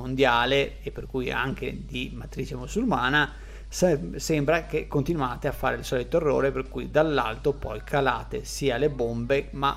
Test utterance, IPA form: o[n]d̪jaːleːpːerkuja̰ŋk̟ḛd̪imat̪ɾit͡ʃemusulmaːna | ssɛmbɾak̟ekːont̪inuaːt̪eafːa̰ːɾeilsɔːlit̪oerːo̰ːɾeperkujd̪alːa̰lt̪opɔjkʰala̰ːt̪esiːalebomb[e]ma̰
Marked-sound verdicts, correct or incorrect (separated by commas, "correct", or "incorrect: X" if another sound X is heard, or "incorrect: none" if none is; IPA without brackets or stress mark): correct, correct